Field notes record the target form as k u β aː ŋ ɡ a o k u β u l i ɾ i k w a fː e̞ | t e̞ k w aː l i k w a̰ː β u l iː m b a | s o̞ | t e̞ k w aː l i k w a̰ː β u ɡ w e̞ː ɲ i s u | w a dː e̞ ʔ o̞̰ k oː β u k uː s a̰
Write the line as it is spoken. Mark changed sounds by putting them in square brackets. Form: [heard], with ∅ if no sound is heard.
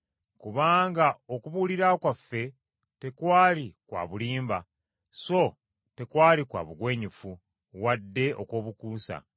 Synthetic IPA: k u β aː ŋ ɡ a o k u β u l i ɾ [a] k w a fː e̞ | t e̞ k w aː l i k w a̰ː β u l iː m b a | s o̞ | t e̞ k w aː l i k w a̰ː β u ɡ w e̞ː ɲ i [f] u | w a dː e̞ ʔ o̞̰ k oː β u k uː s a̰